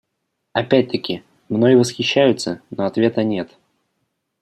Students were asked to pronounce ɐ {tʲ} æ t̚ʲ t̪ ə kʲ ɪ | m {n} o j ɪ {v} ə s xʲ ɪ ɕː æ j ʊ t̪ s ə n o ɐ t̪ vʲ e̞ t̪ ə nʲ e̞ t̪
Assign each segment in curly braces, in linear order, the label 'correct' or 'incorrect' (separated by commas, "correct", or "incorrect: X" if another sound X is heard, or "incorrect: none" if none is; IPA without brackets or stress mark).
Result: incorrect: pʲ, correct, correct